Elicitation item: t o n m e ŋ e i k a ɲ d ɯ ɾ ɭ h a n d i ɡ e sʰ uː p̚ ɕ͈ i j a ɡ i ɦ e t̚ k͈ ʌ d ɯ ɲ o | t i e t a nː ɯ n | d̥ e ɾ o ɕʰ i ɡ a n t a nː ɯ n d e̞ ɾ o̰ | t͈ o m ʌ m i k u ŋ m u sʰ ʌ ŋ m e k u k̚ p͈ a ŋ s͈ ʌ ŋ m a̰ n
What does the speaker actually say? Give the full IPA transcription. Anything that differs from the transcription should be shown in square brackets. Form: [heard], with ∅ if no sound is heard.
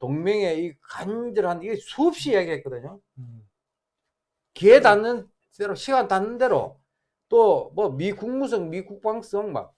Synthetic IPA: t o [ŋ] m e ŋ e i k a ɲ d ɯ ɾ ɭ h a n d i ɡ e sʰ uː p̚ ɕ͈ i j a ɡ i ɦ e t̚ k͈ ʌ d ɯ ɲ o | [k] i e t a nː ɯ n | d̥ e ɾ o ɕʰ i ɡ a n t a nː ɯ n d e̞ ɾ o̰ | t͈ o m ʌ m i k u ŋ m u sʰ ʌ ŋ m [i] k u k̚ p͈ a ŋ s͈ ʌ ŋ m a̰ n